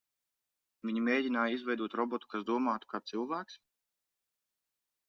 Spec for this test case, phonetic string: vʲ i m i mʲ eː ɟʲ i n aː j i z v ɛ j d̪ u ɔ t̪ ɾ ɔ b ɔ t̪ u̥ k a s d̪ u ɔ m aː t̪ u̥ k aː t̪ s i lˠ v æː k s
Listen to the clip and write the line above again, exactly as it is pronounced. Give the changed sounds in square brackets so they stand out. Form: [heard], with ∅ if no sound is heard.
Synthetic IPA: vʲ i [ɲ] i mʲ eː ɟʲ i n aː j i z v ɛ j d̪ u ɔ t̪ ɾ ɔ b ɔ t̪ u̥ k a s d̪ u ɔ m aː t̪ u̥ k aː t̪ s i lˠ v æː k s